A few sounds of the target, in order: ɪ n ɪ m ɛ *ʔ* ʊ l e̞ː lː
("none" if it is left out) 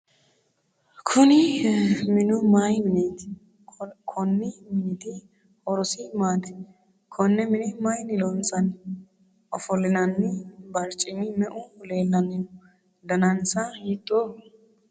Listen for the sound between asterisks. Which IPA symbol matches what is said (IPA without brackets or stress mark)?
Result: ʔ